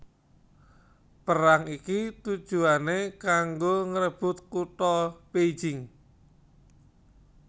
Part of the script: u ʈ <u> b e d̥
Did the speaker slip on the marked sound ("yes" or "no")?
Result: yes